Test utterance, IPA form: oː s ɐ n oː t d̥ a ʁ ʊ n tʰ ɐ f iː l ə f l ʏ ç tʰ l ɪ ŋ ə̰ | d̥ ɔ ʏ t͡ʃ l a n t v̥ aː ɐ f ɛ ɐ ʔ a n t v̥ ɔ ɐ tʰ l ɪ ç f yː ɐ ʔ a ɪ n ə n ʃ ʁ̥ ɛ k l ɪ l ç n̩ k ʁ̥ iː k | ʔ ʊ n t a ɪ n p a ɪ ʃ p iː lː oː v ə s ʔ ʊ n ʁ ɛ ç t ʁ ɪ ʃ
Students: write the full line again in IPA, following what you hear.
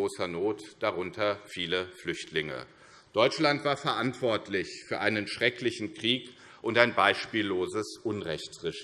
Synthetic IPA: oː s ɐ n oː t d̥ a ʁ ʊ n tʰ ɐ f iː l ə f l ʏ ç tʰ l ɪ ŋ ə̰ | d̥ ɔ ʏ t͡ʃ l a n t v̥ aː ɐ f ɛ ɐ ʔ a n t v̥ ɔ ɐ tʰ l ɪ ç f yː ɐ ʔ a ɪ n ə n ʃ ʁ̥ ɛ k l ɪ ç n̩ k ʁ̥ iː k | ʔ ʊ n t a ɪ n b a ɪ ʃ p iː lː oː z ə s ʔ ʊ n ʁ ɛ ç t ʁ ɪ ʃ

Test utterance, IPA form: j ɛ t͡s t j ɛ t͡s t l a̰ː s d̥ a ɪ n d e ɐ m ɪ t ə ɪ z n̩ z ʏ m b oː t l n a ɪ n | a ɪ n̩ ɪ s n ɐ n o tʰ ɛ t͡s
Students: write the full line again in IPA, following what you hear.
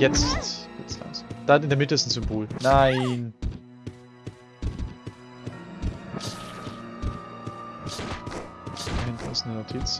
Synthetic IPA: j ɛ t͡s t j ɛ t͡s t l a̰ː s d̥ a ɪ n d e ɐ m ɪ t ə ɪ s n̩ z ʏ m b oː l n a ɪ n | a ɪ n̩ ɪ s n ə n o tʰ i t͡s

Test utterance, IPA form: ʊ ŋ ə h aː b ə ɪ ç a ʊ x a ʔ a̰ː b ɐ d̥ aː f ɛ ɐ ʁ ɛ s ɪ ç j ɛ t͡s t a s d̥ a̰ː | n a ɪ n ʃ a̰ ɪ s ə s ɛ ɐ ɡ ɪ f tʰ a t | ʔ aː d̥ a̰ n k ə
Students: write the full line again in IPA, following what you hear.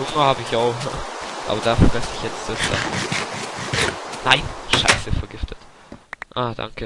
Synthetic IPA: ʊ ŋ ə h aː b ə ɪ ç a ʊ x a ʔ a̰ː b ɐ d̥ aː f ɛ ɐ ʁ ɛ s ɪ ç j ɛ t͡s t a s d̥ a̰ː | n a ɪ n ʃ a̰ ɪ s ə f ɛ ɐ ɡ ɪ f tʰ ə t | ʔ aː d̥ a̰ ŋ k ə

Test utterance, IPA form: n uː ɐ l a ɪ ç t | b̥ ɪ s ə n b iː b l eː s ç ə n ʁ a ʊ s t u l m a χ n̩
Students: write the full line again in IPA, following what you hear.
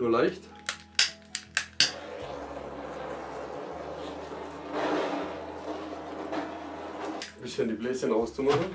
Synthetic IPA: n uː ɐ l a ɪ ç t | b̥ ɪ s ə n d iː b l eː s ç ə n ʁ a ʊ s t͡s u m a χ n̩

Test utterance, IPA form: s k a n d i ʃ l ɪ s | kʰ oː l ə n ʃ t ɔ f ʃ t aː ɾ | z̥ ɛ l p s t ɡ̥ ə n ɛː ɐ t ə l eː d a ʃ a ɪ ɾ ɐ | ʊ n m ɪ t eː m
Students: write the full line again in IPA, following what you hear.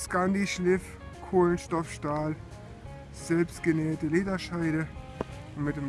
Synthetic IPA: s k a n d i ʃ l ɪ f | kʰ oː l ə n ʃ t ɔ f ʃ t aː l | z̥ ɛ l p s t ɡ̥ ə n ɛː ɐ t ə l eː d ɐ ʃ a ɪ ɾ ə | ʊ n m ɪ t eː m

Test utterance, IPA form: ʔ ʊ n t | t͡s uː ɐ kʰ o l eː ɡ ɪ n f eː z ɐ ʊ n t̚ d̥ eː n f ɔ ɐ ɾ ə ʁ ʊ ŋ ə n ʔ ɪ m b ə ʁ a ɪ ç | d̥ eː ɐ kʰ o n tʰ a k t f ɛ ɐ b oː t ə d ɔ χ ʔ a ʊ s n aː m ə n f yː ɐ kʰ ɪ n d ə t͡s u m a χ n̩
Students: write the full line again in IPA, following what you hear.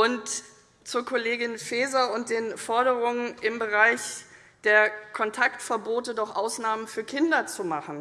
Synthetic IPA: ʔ ʊ n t | t͡s uː ɐ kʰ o l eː ɡ ɪ n f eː z ɐ ʊ n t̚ d̥ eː n f ɔ ɐ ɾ ə ʁ ʊ ŋ ə n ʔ ɪ m b ə ʁ a ɪ ç | d̥ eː ɐ kʰ ɔ n tʰ a k t f ɛ ɐ b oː t ə d ɔ χ ʔ a ʊ s n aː m ə n f yː ɐ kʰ ɪ n d ɐ t͡s u m a χ n̩

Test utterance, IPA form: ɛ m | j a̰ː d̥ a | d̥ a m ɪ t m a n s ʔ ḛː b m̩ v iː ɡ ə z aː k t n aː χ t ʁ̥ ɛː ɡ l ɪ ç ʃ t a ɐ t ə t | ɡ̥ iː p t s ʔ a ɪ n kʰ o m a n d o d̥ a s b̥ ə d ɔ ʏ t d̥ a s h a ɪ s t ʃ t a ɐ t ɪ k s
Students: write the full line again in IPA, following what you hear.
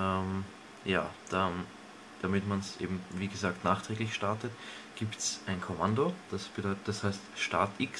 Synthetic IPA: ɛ m | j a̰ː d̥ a | d̥ a m ɪ t m a n s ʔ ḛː b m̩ v iː ɡ ə z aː k t n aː χ t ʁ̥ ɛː ɡ l ɪ ç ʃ t a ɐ t ə t | ɡ̥ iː p t s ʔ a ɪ n kʰ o m a n d o d̥ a s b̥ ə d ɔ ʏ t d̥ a s h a ɪ s t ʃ t a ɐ t ɪ k s

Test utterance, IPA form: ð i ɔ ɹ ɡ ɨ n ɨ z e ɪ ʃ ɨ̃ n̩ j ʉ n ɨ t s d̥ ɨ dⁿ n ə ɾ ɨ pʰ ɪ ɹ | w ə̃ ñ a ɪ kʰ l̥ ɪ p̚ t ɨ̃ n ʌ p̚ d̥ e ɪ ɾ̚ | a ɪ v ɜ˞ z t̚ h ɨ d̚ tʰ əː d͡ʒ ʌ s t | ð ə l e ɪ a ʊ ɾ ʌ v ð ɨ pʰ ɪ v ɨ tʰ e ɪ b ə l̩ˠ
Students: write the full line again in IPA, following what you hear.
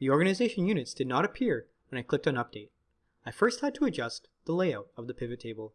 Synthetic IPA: ð i ɔ ɹ ɡ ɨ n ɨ z e ɪ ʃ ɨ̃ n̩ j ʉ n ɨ t s d̥ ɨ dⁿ n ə ɾ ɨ pʰ ɪ ɹ | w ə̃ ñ a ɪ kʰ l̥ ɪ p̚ t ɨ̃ n ʌ p̚ d̥ e ɪ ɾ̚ | a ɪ f ɜ˞ s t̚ h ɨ d̚ tʰ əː d͡ʒ ʌ s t | ð ə l e ɪ a ʊ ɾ ʌ v ð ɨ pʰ ɪ v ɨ tʰ e ɪ b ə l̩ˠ

